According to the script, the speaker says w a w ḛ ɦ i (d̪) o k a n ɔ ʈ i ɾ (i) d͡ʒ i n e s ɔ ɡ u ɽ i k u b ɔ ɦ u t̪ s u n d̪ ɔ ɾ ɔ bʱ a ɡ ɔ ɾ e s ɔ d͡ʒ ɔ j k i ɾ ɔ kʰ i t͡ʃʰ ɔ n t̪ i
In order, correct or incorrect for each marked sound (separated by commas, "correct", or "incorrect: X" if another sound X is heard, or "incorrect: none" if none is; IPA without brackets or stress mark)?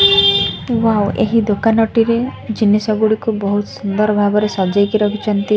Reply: correct, incorrect: e